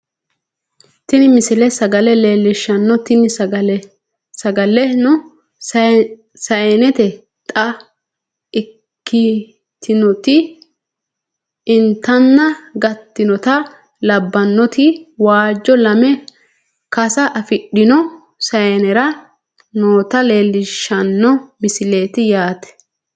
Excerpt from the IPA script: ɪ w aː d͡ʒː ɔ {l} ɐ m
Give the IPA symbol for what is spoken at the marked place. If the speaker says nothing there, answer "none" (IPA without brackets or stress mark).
l